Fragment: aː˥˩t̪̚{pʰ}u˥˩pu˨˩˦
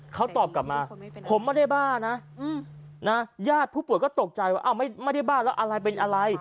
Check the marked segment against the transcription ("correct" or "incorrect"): correct